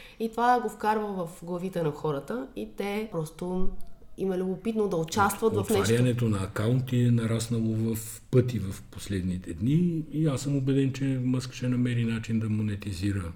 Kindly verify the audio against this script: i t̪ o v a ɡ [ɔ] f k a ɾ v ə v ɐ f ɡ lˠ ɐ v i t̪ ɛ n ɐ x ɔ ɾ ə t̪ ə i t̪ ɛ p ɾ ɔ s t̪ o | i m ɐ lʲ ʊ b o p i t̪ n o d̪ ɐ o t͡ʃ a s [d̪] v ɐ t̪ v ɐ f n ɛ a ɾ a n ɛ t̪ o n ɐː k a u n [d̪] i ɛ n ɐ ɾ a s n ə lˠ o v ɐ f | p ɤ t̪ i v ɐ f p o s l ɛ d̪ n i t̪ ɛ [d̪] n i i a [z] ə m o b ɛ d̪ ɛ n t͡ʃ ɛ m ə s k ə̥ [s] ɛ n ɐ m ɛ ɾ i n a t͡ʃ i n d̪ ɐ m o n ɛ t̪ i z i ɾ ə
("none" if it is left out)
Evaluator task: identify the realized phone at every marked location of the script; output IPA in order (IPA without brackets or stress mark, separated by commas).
o, t̪, t̪, d̪, s, ʃ